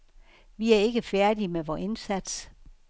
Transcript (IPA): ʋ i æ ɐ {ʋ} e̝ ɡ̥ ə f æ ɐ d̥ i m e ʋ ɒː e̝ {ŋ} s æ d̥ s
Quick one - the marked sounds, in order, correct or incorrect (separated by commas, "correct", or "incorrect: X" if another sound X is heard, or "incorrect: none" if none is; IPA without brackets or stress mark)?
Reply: incorrect: none, incorrect: n